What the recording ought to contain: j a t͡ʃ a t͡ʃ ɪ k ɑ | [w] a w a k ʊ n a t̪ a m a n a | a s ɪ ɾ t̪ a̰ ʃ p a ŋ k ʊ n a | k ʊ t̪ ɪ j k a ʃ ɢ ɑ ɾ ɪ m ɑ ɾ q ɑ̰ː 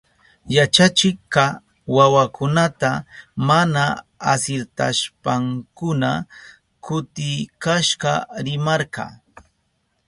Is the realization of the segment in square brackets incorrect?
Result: no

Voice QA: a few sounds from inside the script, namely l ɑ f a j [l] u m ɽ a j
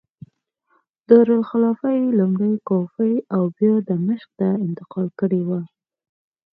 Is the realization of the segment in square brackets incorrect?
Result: no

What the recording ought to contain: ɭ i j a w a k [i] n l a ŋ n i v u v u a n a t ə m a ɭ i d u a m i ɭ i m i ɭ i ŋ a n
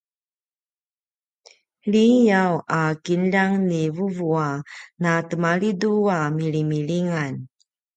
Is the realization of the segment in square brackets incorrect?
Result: no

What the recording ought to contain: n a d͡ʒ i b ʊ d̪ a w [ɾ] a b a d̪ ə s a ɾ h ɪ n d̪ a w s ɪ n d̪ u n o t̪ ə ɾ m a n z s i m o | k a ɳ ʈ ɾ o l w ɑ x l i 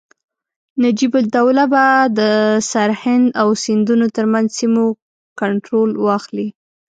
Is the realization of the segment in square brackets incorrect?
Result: yes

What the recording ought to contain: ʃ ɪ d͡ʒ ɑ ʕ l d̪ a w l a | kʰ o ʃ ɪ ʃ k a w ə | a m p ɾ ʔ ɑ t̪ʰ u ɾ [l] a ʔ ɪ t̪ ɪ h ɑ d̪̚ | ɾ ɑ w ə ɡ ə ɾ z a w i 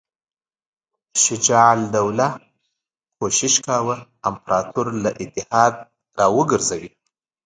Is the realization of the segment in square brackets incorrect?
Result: no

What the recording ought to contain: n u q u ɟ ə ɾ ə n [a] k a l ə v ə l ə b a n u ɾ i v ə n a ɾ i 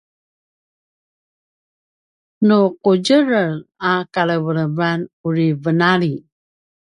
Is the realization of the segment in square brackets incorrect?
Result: no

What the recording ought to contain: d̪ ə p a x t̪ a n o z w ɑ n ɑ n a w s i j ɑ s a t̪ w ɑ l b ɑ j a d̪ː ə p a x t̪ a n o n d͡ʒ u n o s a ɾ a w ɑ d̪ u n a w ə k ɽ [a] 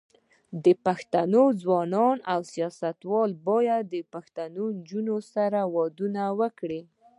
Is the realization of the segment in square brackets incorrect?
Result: yes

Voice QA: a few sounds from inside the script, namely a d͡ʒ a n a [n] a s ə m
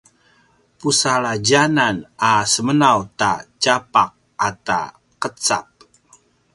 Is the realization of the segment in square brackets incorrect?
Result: no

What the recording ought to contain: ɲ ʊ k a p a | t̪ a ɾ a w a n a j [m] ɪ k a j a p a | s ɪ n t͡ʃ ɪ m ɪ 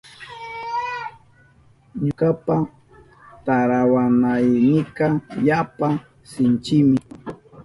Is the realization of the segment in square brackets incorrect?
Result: yes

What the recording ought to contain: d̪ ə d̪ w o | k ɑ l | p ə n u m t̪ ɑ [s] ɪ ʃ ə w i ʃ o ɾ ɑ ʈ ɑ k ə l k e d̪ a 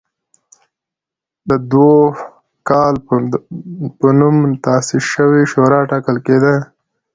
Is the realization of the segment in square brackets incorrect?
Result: no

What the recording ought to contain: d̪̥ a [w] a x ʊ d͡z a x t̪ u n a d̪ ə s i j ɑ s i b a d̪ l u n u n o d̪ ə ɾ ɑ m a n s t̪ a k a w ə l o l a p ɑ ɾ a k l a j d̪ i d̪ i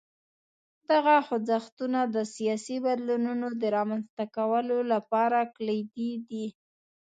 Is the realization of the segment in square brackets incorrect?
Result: yes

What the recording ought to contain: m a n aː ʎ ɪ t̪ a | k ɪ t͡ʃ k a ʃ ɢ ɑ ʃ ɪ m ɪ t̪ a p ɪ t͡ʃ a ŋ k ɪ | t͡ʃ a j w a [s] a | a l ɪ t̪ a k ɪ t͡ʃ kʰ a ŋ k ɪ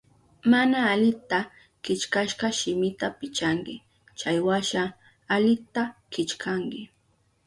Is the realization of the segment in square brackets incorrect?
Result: yes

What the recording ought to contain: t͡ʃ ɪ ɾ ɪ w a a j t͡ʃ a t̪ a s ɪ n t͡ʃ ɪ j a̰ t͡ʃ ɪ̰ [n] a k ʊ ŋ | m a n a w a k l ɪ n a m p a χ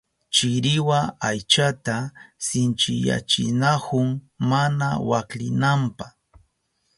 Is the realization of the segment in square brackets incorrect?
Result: no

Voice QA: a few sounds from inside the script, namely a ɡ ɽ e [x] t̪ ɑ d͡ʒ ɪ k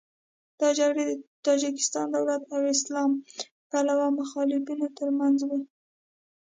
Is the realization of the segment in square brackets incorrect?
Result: yes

